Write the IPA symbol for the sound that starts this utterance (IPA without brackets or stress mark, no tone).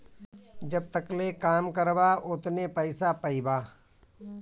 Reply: d͡ʒ